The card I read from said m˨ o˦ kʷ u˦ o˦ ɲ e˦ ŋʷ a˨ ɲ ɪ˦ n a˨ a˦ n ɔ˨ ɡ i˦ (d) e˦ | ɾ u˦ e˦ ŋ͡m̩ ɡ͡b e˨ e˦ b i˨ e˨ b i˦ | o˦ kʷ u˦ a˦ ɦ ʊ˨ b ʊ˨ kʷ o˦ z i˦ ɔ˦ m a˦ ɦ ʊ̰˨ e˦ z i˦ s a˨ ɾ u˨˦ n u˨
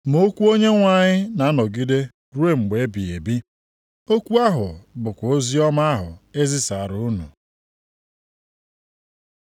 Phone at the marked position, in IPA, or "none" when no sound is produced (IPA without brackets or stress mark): d